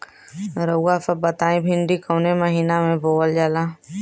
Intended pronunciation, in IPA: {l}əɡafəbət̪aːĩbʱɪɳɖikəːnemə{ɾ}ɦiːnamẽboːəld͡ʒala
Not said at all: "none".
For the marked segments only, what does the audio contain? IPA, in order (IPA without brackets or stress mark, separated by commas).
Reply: ɾ, none